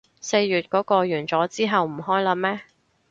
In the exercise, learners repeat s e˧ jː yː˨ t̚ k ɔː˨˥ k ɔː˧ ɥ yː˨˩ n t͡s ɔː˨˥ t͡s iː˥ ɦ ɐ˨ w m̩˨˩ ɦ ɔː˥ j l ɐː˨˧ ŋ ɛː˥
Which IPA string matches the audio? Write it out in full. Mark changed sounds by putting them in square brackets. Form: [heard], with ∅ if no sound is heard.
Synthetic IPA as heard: s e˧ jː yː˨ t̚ k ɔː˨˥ k ɔː˧ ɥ yː˨˩ n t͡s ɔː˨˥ t͡s iː˥ ɦ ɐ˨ w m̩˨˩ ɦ ɔː˥ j l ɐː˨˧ [m] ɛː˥